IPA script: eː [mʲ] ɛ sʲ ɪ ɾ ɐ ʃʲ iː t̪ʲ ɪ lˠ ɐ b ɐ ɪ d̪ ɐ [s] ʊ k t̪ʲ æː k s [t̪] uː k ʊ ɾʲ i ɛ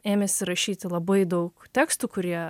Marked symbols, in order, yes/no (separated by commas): yes, no, yes